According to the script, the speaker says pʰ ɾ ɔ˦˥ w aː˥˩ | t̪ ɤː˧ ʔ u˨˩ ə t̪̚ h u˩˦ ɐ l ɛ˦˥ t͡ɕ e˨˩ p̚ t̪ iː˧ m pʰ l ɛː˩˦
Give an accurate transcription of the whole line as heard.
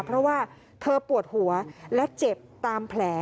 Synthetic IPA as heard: pʰ ɾ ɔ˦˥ w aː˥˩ | t̪ʰ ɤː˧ p u˨˩ ə t̪̚ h u˩˦ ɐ l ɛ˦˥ t͡ɕ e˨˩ p̚ t̪ aː˧ m pʰ l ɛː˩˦